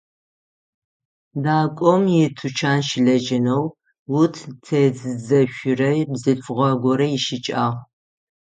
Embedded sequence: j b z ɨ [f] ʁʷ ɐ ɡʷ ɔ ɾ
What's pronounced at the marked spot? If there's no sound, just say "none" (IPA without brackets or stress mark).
f